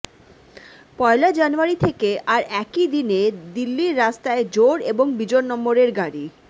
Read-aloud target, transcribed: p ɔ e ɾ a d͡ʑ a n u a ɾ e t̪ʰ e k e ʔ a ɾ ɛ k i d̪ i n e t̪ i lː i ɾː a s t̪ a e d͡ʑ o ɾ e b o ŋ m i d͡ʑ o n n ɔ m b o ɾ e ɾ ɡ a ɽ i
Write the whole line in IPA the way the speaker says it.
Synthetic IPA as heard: p ɔ e l a d͡ʑ a n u a ɾ i t̪ʰ e k e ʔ a ɾ ɛ k i d̪ i n e d̪ i lː i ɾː a s t̪ a e d͡ʑ o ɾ e b o ŋ b i d͡ʑ o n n ɔ m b o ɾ e ɾ ɡ a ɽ i